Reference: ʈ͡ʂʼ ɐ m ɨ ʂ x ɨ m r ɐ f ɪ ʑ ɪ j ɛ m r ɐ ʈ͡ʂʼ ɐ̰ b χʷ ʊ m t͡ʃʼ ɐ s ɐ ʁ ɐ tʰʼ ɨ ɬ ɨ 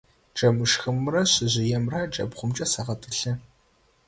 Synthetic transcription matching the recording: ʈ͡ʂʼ ɐ m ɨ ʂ x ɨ m r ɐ ɕ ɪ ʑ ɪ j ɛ m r ɐ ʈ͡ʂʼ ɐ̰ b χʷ ʊ m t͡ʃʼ ɐ s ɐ ʁ ɐ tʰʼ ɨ ɬ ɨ